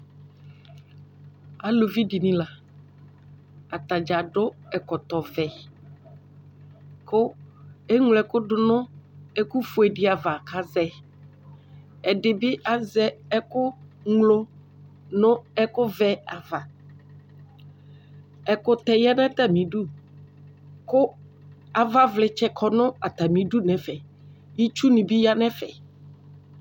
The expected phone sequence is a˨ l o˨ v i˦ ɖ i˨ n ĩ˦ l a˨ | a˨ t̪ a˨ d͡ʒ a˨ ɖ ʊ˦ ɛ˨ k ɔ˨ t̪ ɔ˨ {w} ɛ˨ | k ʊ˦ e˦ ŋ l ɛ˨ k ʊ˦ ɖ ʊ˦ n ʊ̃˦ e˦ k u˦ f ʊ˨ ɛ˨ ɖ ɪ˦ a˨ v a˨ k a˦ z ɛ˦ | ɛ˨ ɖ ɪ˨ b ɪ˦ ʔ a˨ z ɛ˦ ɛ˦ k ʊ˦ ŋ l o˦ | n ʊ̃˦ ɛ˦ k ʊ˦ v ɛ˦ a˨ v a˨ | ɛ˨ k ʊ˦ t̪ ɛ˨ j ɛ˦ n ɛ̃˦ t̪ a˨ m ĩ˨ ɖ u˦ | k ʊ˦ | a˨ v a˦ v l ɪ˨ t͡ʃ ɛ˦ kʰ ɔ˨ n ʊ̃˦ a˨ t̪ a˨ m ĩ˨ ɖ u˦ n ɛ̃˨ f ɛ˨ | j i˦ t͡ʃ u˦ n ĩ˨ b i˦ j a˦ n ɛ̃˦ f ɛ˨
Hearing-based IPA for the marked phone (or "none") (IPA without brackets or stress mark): v